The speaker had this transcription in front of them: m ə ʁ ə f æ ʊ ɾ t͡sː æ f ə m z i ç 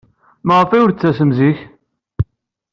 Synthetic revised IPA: m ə ʁ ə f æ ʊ ɾ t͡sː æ s ə m z i ç